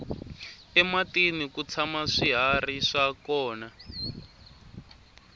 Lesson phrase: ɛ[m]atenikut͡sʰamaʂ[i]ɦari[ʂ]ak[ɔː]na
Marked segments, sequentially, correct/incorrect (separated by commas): correct, correct, correct, correct